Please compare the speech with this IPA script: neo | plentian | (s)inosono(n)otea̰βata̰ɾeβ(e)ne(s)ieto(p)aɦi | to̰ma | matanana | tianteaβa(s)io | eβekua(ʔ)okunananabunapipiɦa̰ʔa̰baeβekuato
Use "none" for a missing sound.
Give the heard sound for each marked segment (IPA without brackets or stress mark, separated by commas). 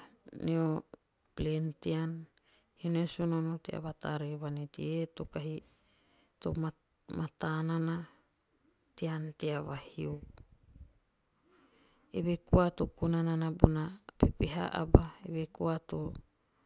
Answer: h, n, a, t, k, h, t